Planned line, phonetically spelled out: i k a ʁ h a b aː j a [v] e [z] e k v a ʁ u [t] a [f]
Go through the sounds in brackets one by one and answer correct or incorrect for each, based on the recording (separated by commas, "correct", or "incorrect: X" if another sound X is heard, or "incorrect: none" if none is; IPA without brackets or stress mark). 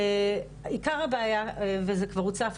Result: correct, correct, incorrect: t͡s, correct